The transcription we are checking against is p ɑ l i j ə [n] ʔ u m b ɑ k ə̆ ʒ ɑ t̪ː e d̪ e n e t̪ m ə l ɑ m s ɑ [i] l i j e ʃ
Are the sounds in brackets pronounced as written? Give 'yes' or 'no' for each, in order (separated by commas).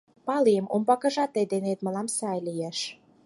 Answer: no, no